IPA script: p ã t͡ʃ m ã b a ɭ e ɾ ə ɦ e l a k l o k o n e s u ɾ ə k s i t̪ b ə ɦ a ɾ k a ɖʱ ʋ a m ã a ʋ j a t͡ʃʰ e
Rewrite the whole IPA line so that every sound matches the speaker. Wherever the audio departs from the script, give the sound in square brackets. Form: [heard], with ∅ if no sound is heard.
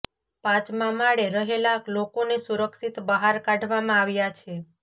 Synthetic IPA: p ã t͡ʃ m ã [m] a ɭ e ɾ ə ɦ e l a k l o k o n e s u ɾ ə k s i t̪ b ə ɦ a ɾ k a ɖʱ ʋ a m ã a ʋ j a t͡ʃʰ e